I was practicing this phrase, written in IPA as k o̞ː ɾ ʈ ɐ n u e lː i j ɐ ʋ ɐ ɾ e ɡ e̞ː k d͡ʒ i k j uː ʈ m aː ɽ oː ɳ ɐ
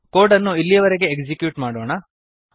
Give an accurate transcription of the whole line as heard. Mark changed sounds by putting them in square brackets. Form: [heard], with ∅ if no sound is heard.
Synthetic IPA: k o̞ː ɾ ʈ ɐ [nː] u [i] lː i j ɐ ʋ ɐ ɾ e ɡ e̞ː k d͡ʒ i k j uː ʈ m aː ɽ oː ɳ ɐ